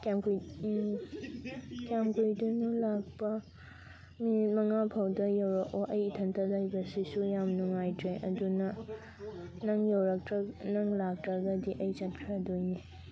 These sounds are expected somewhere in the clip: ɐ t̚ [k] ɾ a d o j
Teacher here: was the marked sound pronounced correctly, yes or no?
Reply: no